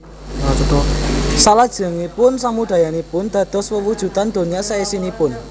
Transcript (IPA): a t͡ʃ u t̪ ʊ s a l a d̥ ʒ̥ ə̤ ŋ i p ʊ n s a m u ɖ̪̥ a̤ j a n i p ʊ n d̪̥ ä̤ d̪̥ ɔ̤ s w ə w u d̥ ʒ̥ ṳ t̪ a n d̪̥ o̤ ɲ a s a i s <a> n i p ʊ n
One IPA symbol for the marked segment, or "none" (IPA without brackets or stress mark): i